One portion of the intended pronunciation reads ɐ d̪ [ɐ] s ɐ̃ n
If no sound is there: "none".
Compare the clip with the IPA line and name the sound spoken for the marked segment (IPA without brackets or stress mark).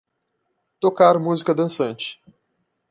ɐ̃